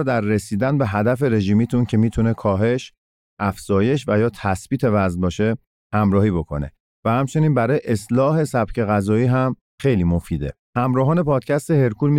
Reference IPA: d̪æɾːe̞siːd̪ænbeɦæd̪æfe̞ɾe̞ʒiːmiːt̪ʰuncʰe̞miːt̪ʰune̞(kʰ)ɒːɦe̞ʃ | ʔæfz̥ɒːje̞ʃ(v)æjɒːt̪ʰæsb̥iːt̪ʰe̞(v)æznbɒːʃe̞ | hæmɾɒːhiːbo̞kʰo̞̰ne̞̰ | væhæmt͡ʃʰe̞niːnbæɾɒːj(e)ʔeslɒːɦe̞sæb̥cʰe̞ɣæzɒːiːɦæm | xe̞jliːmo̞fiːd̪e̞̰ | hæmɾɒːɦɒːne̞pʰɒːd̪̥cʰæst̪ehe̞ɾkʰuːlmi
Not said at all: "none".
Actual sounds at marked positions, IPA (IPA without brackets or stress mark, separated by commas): kʰ, v, v, e